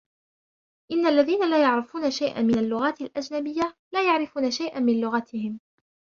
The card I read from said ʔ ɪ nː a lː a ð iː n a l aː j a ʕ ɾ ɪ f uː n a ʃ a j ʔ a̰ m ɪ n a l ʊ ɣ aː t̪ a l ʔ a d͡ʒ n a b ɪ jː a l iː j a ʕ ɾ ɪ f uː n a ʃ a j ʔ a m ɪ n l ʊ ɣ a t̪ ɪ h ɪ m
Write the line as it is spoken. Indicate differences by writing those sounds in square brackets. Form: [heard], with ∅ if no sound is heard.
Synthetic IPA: ʔ ɪ nː a lː a ð iː n a l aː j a ʕ ɾ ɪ f uː n a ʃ a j ʔ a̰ m ɪ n a [lː] ʊ ɣ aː t̪ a l ʔ a d͡ʒ n a b ɪ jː a l [aː] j a ʕ ɾ ɪ f uː n a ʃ a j ʔ a m ɪ n l ʊ ɣ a t̪ ɪ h ɪ m